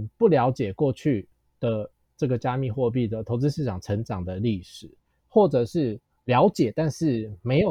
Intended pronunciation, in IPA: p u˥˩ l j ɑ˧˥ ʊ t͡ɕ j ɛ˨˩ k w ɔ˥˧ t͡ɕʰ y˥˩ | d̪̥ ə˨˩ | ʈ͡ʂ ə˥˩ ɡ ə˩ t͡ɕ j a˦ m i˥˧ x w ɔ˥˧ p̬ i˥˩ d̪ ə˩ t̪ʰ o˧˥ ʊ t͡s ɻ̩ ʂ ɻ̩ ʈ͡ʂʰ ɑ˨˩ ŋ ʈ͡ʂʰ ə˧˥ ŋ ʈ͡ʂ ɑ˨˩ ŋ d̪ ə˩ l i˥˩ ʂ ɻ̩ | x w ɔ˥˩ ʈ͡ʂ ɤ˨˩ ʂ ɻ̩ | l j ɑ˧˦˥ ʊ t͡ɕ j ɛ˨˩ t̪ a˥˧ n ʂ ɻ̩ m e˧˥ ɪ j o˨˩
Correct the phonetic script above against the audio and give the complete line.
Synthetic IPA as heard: p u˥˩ l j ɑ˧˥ ʊ t͡ɕ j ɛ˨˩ k w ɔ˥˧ t͡ɕʰ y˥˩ | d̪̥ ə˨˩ | ʈ͡ʂ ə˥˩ ɡ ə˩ t͡ɕ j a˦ m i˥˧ x w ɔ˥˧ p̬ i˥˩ d̪ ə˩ t̪ʰ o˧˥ ʊ t͡s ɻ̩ ʂ ɻ̩ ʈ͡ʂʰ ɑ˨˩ ŋ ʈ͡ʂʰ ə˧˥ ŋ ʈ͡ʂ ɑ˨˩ ŋ d̪ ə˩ l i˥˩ ʂ ɻ̩ | x w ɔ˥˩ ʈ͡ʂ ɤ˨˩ ʂ ɻ̩ | l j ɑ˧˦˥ ʊ t͡ɕ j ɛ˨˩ t̪ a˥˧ n ʂ ɻ̩ m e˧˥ ɪ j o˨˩